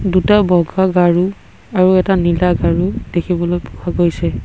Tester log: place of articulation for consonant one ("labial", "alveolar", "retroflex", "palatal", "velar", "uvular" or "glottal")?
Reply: alveolar